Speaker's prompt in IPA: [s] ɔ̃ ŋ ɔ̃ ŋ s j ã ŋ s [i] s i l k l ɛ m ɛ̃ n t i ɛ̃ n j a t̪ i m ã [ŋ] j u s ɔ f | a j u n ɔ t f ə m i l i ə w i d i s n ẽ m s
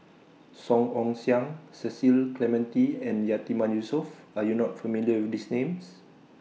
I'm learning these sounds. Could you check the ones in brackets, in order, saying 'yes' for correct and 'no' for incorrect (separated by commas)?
yes, no, no